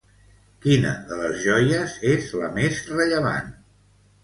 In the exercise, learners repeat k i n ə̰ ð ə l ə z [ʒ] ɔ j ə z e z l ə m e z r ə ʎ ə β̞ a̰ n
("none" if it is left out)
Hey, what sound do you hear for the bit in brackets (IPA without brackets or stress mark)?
ʒ